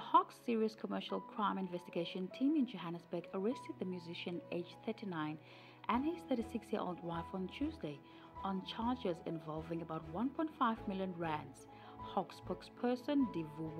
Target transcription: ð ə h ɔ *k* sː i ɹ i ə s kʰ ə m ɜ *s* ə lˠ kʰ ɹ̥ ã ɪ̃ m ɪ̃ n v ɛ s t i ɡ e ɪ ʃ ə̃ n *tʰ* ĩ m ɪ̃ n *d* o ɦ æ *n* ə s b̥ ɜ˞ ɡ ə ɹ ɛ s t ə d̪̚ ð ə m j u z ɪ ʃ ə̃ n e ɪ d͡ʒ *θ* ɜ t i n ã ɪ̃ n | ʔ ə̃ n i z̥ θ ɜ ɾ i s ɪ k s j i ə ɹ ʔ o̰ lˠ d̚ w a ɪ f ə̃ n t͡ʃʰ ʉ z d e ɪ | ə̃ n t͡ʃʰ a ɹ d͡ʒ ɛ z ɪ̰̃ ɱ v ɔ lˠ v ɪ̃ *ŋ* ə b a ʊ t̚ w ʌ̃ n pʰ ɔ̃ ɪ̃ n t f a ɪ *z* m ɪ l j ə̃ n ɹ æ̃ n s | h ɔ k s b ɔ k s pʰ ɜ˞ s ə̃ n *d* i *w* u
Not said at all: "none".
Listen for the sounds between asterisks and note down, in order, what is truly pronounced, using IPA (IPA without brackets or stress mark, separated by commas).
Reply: k, ʃ, tʰ, d͡ʒ, n, θ, ŋ, v, d, v